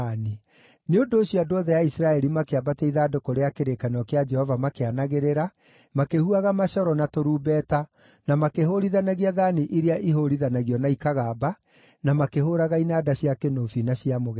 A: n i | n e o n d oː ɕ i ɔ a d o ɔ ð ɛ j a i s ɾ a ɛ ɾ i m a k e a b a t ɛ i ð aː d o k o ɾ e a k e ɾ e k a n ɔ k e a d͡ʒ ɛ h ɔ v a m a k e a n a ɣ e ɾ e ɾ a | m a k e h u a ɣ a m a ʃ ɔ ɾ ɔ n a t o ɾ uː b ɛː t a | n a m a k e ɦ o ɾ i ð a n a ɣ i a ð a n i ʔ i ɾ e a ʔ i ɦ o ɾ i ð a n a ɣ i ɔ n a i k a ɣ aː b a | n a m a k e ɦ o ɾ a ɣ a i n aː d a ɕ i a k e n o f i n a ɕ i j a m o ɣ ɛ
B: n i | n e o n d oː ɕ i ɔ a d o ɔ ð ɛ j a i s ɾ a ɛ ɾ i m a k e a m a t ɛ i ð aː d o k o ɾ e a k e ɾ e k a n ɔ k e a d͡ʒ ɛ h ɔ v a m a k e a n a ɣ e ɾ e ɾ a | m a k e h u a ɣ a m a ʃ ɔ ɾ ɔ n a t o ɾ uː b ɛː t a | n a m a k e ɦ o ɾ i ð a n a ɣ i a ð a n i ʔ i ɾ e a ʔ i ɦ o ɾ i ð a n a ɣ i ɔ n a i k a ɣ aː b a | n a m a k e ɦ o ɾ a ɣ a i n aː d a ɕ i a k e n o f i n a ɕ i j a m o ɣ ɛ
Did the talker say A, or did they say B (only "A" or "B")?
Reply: A